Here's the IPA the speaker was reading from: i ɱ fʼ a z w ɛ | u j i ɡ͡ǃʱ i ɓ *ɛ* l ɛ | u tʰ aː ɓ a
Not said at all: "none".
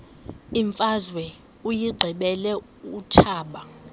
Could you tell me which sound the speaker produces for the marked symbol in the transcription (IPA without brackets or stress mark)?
ɛ